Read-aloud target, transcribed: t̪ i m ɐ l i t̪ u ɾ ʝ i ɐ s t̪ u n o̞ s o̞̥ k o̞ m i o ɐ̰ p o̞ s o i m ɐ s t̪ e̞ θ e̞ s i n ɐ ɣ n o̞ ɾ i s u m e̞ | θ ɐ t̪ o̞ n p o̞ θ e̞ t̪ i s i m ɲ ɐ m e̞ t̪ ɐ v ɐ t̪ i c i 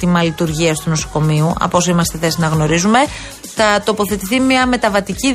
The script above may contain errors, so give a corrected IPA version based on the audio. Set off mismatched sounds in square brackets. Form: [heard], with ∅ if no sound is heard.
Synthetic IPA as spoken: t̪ i m ɐ l i t̪ u ɾ ʝ i ɐ s t̪ u n o̞ s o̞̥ k o̞ m i [u] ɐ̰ p o̞ s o i m ɐ s t̪ e̞ θ e̞ s i n ɐ ɣ n o̞ ɾ i [z] u m e̞ | θ ɐ t̪ o̞ [∅] p o̞ θ e̞ t̪ i [θ] i m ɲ ɐ m e̞ t̪ ɐ v ɐ t̪ i c i